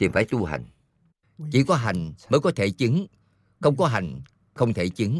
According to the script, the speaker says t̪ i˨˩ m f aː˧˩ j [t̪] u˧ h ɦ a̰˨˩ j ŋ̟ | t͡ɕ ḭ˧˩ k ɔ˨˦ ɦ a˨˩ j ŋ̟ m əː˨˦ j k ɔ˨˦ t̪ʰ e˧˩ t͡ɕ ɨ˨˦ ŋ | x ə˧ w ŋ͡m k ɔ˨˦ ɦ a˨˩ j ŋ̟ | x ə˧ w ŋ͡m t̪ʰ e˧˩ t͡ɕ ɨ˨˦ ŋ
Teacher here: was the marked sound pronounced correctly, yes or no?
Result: yes